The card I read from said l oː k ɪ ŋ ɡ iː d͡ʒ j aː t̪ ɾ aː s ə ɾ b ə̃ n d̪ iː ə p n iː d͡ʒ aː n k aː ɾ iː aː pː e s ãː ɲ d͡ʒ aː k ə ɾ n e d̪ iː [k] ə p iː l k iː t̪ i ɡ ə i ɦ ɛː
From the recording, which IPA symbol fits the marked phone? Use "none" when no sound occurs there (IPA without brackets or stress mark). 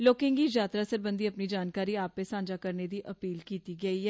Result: ʔ